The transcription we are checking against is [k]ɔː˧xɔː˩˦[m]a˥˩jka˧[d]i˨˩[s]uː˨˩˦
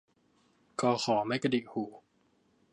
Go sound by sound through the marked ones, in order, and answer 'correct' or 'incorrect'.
correct, correct, correct, incorrect

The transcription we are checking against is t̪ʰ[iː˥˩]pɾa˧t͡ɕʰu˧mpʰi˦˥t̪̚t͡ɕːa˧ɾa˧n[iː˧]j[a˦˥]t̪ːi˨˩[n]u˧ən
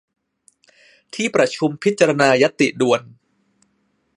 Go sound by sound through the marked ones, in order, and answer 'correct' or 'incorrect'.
correct, incorrect, correct, incorrect

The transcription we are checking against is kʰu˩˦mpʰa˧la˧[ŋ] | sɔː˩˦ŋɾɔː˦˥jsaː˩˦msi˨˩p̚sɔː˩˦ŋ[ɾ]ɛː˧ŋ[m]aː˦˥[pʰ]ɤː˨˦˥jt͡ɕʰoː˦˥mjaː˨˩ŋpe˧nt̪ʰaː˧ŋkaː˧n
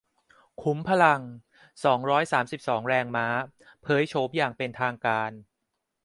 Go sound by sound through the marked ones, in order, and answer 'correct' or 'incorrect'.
correct, correct, correct, correct

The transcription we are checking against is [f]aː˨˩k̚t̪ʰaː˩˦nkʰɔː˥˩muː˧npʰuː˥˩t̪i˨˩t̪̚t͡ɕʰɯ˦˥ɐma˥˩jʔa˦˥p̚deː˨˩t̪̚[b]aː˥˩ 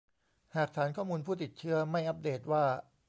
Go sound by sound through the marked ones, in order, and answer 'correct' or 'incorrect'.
incorrect, incorrect

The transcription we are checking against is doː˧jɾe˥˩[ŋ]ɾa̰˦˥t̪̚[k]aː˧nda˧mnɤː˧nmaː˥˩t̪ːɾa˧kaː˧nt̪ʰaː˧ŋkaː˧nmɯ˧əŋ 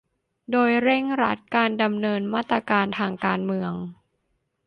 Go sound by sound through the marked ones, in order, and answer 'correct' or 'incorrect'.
correct, correct

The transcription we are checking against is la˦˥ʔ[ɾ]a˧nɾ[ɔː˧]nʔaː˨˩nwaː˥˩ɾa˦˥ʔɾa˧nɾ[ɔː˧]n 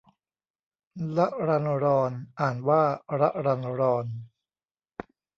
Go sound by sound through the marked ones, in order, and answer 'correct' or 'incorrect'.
correct, correct, correct

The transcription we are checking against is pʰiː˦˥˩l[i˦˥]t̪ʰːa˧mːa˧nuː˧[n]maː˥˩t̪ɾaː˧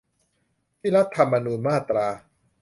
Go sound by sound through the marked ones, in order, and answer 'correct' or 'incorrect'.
incorrect, correct

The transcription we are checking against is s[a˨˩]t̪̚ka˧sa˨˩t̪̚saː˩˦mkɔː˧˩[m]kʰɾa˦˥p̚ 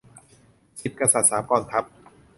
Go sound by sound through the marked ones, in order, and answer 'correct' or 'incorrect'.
incorrect, incorrect

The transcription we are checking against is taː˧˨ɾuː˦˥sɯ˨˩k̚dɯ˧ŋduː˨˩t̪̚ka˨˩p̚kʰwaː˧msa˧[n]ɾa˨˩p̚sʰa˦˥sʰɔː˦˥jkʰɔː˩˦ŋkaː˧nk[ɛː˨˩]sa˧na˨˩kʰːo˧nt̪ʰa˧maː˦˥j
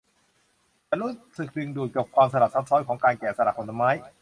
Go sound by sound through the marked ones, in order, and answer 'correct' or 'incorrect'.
incorrect, correct

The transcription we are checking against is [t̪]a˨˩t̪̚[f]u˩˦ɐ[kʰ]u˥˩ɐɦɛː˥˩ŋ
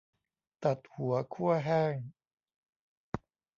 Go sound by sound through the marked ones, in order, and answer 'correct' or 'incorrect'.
correct, incorrect, correct

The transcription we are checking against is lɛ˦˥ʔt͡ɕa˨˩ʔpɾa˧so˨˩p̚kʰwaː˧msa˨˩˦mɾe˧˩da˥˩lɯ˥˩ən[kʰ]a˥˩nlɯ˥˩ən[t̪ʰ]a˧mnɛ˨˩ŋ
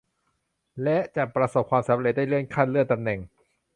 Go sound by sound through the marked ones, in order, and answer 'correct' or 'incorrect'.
correct, incorrect

